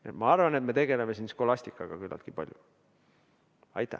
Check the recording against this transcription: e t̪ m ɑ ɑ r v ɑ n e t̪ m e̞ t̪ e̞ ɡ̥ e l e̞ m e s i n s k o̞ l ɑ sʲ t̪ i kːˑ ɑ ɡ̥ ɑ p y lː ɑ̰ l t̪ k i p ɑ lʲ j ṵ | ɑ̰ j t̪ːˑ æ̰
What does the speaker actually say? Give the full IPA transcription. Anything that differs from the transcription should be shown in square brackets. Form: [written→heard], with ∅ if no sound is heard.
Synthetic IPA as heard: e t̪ m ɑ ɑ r v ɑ n e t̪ m e̞ t̪ e̞ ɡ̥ e l e̞ m e s i n s k o̞ l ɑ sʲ t̪ i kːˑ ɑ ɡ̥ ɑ [p→k] y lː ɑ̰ l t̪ k i p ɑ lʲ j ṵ | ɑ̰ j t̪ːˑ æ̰